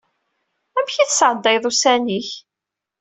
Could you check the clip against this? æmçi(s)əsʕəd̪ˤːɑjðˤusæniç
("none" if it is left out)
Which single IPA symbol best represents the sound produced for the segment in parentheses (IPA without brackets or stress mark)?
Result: θ